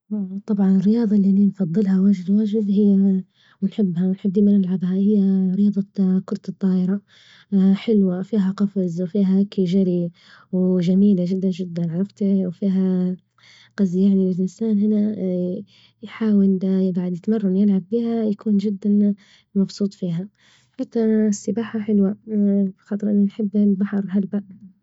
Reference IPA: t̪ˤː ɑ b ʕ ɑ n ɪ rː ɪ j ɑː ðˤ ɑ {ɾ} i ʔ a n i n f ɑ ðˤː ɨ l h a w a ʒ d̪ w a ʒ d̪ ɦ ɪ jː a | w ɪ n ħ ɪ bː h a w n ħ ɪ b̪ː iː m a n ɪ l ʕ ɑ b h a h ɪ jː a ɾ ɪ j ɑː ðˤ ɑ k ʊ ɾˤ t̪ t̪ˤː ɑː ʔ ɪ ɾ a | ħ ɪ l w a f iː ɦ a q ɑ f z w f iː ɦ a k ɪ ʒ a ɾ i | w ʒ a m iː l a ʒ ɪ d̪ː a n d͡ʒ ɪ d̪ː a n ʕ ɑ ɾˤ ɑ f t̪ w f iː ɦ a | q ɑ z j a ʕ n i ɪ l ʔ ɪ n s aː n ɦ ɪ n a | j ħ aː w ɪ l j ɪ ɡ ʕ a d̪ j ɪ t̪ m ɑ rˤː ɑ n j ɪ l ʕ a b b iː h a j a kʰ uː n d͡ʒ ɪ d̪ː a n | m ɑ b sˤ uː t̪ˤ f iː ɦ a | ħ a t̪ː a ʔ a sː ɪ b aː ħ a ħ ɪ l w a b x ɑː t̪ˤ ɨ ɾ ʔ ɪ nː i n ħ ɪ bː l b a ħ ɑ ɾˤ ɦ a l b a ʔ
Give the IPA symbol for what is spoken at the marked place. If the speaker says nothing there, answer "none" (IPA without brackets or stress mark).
l